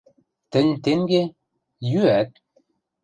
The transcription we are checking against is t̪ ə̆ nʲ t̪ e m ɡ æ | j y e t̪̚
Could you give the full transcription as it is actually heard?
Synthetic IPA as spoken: t̪ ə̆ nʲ t̪ e ŋ ɡ e | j y æ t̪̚